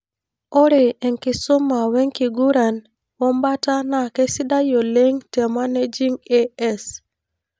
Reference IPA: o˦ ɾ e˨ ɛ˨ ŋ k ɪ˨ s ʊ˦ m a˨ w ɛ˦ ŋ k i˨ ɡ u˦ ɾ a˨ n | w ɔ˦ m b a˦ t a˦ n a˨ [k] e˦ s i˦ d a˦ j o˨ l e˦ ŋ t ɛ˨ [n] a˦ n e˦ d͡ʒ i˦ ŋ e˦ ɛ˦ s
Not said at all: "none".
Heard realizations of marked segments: k, m

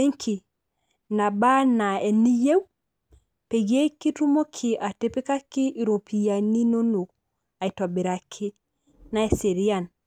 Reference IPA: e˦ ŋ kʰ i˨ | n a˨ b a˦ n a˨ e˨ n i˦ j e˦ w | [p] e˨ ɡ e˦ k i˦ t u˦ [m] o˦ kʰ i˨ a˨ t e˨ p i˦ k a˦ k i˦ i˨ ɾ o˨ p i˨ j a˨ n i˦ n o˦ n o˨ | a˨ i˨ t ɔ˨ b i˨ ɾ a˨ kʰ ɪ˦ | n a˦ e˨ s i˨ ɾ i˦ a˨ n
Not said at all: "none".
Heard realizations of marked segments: p, m

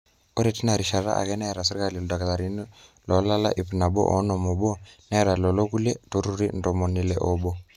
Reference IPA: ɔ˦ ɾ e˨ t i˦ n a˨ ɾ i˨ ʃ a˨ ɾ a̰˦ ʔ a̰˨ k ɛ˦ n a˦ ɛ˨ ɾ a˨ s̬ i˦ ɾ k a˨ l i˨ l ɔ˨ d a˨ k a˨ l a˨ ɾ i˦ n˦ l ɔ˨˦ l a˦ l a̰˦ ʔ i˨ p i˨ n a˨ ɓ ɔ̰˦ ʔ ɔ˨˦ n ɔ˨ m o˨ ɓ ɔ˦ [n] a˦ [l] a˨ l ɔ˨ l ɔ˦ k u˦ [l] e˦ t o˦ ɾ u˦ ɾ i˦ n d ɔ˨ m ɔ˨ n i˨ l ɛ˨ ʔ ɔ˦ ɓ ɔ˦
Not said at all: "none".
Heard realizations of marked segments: n, ɾ, l

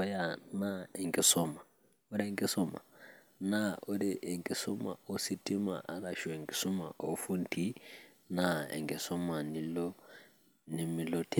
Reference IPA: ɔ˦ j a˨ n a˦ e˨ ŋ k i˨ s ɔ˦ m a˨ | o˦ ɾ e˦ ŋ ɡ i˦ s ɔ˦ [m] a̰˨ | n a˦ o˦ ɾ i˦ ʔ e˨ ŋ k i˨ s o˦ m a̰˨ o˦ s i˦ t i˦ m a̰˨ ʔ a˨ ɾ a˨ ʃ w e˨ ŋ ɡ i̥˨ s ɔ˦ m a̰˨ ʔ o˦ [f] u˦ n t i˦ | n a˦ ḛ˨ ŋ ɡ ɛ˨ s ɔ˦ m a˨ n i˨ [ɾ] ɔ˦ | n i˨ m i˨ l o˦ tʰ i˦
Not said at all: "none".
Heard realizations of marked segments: m, f, l

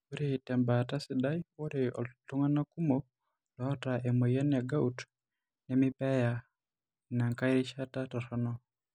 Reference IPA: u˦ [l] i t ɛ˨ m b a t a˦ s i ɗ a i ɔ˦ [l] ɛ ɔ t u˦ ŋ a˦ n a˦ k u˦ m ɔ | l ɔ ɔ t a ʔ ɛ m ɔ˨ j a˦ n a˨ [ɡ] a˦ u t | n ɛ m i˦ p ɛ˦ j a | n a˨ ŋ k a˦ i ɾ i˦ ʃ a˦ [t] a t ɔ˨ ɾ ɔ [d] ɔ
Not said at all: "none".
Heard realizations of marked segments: ɾ, ɾ, ɡ, t, n

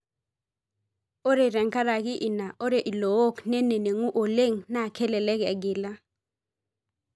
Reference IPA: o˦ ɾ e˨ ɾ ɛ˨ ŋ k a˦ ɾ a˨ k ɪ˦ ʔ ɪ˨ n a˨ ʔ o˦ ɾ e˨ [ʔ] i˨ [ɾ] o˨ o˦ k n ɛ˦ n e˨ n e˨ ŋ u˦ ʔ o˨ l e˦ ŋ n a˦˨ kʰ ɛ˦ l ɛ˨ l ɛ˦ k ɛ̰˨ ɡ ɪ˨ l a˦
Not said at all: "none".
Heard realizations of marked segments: ʔ, l

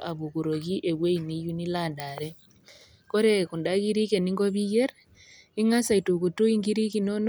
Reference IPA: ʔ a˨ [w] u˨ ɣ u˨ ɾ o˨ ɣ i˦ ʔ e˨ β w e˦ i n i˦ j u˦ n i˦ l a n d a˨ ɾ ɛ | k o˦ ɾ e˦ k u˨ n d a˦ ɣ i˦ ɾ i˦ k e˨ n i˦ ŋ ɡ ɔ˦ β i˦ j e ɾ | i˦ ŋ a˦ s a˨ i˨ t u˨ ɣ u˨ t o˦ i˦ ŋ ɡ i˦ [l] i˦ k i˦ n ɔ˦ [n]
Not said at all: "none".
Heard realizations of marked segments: β, ɾ, n

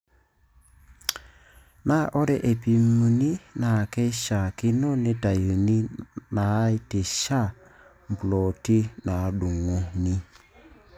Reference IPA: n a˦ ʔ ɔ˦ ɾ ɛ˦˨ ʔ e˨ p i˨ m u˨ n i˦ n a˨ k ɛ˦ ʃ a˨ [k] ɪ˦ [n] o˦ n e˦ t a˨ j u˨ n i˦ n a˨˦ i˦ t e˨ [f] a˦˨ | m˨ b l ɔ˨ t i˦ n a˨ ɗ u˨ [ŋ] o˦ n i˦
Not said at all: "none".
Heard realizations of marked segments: k, n, ʃ, ŋ

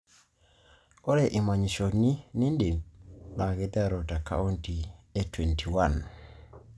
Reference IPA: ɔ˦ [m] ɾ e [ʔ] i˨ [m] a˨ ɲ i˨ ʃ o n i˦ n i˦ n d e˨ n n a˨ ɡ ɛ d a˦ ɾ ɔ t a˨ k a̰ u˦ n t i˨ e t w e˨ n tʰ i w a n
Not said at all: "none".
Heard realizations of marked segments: none, ʔ, m

